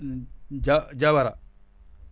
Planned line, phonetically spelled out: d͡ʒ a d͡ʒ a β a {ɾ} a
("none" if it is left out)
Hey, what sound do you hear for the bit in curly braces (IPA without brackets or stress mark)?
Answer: ɾ